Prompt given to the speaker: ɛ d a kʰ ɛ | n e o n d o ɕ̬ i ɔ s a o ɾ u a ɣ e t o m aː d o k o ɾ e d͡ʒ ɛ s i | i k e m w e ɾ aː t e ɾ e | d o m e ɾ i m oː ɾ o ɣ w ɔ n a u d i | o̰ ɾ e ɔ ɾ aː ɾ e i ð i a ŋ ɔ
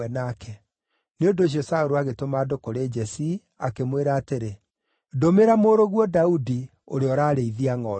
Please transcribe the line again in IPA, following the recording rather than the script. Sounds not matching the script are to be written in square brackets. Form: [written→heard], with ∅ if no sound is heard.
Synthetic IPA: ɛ [d→n] a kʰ ɛ | n e o n d o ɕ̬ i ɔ s a o ɾ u a ɣ e t o m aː d o k o ɾ e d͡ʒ ɛ s i | [i→a] k e m w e ɾ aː t e ɾ e | d o m e ɾ [i→a] m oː ɾ o ɣ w ɔ [n→d] a u d i | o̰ ɾ e ɔ ɾ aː ɾ e i ð i a ŋ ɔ